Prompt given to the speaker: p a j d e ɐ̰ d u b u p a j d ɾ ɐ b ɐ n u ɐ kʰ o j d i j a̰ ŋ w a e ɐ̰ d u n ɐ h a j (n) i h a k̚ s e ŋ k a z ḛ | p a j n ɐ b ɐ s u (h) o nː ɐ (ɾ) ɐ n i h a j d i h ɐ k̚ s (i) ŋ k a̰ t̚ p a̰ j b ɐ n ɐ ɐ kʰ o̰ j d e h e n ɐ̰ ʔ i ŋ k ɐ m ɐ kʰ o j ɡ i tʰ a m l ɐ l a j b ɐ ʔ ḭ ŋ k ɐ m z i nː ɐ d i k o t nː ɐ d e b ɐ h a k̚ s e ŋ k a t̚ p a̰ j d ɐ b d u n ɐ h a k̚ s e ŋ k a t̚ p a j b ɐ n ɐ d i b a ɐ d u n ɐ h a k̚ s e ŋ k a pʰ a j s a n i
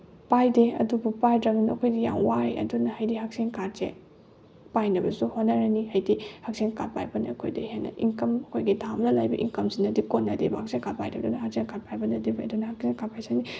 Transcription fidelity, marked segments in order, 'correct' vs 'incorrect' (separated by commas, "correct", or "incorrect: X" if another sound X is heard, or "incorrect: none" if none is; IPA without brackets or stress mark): incorrect: d, correct, correct, incorrect: e